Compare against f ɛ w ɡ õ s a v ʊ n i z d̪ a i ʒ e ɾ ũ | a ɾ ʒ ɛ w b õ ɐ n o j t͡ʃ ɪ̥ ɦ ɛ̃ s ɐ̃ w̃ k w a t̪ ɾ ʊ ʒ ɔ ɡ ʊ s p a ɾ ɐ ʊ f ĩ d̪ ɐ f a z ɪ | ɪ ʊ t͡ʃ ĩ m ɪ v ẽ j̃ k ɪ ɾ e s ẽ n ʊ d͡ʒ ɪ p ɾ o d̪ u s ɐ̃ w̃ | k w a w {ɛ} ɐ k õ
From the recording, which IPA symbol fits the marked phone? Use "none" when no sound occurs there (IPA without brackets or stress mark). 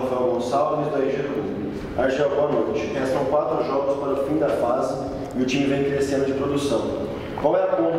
ɛ